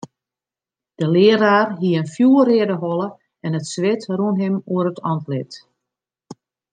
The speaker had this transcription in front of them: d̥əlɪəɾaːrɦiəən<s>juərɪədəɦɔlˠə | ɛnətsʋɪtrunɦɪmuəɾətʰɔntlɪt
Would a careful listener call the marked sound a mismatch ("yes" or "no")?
yes